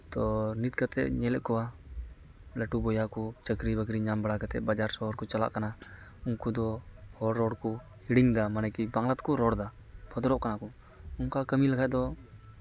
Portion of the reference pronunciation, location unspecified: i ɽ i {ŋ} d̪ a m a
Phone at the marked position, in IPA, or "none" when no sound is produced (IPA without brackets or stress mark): ŋ